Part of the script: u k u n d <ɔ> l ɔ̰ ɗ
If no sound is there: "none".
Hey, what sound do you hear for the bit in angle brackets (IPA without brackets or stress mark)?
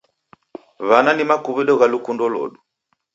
ɔ